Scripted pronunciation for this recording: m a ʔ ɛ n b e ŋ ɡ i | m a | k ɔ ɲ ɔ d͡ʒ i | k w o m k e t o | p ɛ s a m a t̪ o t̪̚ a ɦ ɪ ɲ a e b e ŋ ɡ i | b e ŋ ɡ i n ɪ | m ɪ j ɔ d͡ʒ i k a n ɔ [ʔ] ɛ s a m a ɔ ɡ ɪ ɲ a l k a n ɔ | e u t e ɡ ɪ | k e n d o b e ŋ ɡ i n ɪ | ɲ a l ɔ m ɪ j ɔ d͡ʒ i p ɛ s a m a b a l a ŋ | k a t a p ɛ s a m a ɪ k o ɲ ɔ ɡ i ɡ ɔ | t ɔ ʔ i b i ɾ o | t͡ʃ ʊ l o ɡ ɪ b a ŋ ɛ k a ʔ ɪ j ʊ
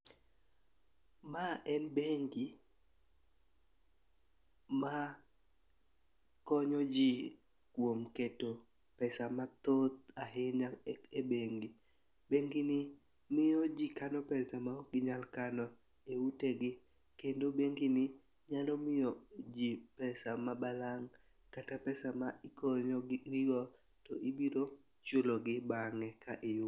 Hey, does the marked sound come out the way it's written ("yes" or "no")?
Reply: no